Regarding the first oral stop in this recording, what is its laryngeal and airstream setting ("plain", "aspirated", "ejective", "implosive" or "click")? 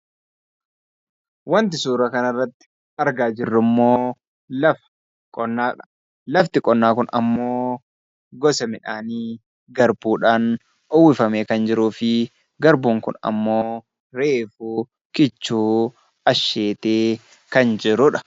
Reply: plain